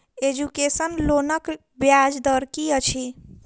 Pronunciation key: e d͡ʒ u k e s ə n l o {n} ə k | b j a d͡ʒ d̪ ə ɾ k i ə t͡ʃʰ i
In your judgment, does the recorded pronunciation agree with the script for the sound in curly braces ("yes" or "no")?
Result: yes